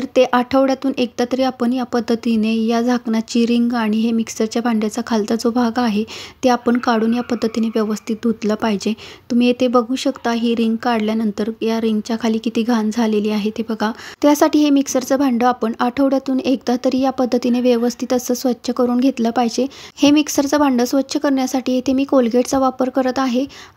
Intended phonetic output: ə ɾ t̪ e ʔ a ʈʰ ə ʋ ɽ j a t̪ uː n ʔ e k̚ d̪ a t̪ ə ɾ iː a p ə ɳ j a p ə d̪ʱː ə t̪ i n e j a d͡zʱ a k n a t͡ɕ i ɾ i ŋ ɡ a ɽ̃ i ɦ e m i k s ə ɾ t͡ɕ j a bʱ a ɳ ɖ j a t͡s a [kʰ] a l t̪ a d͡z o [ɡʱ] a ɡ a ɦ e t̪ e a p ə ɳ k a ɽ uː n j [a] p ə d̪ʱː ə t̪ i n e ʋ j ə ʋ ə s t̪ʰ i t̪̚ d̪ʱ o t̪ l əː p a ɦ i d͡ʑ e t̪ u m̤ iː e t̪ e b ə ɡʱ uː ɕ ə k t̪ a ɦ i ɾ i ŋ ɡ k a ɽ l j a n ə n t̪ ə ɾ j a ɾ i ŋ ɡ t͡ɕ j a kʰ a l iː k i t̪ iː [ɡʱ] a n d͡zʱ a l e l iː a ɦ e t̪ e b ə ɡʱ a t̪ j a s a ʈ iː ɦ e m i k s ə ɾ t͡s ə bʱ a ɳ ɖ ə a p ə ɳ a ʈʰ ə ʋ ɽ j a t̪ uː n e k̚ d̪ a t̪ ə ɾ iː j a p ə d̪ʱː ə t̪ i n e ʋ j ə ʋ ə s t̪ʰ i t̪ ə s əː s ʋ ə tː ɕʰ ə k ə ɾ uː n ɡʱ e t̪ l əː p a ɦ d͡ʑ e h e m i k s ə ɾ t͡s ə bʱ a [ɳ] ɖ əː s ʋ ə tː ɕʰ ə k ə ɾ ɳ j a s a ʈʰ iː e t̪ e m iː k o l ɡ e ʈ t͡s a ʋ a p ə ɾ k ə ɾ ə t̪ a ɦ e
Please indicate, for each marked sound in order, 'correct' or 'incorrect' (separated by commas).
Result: correct, incorrect, correct, correct, correct